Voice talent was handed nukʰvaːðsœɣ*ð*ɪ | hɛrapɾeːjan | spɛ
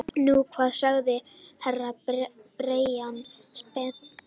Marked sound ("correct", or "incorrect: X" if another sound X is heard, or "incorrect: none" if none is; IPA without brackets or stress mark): correct